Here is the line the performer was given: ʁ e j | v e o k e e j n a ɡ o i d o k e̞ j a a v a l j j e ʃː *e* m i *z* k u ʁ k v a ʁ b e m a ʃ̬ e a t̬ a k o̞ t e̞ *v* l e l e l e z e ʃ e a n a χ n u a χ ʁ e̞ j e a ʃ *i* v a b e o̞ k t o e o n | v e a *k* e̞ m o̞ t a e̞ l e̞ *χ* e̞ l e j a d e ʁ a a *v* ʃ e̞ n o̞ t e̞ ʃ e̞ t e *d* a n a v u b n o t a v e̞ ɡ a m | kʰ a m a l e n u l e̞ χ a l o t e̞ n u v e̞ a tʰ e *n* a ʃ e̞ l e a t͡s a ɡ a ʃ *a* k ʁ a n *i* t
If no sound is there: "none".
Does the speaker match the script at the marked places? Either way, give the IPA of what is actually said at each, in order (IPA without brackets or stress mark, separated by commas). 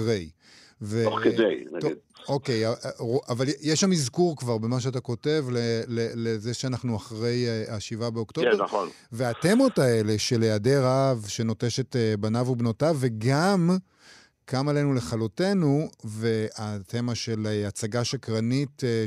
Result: a, z, v, i, t, ʃ, v, b, m, a, i